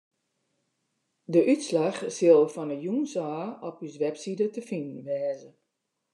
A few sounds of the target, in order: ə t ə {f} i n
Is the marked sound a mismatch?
no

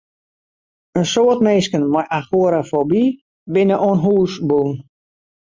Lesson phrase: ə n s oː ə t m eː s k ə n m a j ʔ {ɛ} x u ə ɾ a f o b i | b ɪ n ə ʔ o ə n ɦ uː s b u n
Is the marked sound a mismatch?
yes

